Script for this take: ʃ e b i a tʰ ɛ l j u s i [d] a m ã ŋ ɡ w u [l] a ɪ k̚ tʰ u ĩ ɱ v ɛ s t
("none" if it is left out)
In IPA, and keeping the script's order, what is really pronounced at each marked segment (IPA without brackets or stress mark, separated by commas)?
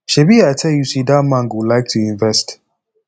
d, l